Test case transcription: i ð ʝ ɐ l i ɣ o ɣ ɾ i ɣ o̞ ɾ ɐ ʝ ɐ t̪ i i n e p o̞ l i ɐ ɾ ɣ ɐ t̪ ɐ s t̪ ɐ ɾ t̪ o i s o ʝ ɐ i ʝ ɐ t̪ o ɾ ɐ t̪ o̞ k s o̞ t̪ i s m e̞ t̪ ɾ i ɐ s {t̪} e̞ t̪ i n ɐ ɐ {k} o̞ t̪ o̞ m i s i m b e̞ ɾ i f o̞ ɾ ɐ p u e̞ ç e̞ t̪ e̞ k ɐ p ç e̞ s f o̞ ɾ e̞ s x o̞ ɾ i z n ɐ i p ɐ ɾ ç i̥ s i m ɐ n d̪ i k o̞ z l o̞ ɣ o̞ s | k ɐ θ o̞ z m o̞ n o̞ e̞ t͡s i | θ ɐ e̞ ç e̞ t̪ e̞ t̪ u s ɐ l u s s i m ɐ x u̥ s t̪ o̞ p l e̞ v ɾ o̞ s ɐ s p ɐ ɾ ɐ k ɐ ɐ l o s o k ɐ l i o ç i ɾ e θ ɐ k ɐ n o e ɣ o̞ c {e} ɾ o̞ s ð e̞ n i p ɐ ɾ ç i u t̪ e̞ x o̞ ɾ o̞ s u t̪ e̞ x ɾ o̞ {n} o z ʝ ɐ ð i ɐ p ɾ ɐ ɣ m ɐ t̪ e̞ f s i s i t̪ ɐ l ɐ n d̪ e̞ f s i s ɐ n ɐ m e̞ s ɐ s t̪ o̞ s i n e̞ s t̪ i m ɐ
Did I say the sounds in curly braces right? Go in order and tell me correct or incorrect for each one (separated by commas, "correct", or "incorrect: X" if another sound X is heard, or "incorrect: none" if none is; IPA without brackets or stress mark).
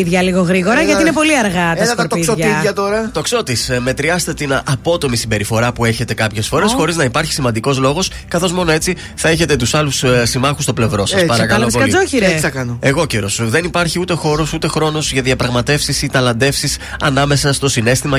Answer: correct, incorrect: p, correct, correct